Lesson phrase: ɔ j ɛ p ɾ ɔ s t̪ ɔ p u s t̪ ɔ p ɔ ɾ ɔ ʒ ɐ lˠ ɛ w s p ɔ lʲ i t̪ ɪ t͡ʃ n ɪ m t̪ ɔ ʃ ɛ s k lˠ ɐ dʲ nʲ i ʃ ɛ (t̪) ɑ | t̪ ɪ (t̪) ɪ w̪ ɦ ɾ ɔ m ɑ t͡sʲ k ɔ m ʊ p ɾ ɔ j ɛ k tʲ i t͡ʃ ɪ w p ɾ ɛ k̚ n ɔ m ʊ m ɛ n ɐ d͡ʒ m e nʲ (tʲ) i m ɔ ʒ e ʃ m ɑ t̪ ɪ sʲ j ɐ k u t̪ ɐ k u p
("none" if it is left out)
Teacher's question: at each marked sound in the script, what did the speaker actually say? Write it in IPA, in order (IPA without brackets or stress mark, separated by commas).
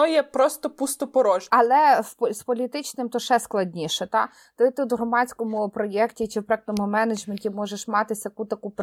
t̪, t̪, tʲ